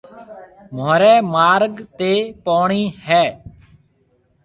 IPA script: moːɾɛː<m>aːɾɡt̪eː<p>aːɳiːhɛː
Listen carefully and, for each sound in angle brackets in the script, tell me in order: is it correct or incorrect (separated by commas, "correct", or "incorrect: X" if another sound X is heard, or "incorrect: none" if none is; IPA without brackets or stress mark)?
correct, correct